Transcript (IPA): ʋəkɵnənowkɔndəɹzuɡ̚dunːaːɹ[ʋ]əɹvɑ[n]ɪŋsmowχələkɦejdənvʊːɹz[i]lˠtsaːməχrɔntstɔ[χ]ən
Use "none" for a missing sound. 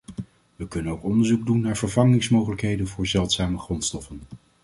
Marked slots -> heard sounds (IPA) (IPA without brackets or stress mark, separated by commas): v, ŋ, ɛ, f